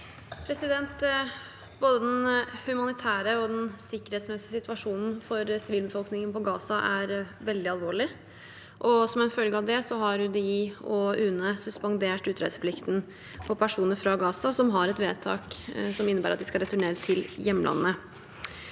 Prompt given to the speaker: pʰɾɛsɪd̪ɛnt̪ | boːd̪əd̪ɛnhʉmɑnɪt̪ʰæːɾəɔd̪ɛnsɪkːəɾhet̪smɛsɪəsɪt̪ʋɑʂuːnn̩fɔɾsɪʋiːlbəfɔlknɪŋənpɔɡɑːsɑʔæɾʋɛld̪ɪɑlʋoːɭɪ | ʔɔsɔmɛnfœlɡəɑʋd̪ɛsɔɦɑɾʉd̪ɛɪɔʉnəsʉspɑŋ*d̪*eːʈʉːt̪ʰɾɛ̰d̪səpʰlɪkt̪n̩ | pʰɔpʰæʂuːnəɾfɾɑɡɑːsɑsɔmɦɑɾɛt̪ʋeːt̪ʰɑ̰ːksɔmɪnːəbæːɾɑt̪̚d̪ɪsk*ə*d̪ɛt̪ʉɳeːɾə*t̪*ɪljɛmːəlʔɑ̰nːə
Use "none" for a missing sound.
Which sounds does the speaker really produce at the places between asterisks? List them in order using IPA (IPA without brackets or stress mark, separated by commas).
d̪, ɑ, t̪ʰ